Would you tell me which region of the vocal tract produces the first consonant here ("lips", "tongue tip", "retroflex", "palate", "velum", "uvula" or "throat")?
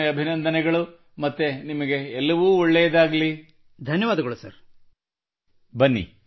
lips